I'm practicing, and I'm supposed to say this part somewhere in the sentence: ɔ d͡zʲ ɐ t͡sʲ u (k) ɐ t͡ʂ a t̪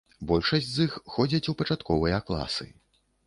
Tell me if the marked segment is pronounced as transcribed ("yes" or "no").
no